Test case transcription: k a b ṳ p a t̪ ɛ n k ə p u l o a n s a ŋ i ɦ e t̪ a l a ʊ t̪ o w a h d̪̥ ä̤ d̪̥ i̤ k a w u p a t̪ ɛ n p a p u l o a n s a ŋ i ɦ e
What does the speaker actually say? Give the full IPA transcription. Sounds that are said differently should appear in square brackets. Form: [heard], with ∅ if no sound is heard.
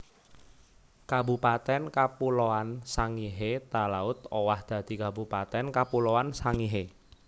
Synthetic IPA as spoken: k a b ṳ p a t̪ ɛ n k [a] p u l o a n s a ŋ i ɦ e t̪ a l a ʊ t̪ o w a h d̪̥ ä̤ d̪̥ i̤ k a [b] u p a t̪ ɛ n [k] a p u l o a n s a ŋ i ɦ e